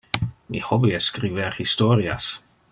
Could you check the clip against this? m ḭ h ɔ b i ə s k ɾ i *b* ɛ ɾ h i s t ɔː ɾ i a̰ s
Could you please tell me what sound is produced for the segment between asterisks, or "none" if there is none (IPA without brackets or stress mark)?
v